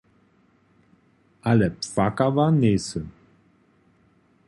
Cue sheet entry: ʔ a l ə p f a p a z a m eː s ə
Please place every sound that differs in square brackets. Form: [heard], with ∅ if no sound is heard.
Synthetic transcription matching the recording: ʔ a l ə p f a [k] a [v] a [n] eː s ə